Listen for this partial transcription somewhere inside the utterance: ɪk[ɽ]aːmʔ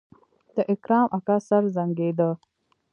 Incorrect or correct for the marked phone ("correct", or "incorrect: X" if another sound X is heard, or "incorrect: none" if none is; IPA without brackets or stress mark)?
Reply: incorrect: ɾ